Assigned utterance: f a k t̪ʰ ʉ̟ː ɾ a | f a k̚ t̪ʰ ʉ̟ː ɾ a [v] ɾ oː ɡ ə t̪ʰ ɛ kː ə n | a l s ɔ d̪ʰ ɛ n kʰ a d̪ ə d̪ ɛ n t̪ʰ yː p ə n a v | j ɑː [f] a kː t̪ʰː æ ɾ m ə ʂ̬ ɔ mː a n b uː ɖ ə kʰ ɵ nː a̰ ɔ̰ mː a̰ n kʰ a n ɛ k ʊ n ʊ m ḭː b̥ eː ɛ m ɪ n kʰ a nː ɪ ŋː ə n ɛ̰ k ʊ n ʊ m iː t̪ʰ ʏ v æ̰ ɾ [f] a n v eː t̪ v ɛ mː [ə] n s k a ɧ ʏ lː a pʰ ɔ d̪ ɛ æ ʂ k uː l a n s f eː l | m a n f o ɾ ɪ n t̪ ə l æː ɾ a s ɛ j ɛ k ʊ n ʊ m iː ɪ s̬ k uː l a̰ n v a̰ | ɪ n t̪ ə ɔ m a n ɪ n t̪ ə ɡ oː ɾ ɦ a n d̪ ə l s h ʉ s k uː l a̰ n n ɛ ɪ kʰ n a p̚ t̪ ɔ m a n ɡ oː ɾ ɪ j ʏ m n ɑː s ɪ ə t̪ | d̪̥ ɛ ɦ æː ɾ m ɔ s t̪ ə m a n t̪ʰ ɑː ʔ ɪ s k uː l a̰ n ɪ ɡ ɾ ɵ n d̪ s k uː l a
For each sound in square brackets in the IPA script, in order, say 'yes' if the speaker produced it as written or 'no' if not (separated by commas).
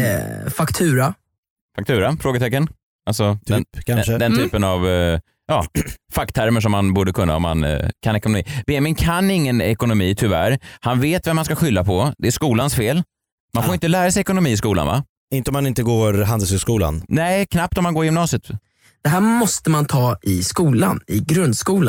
no, yes, no, no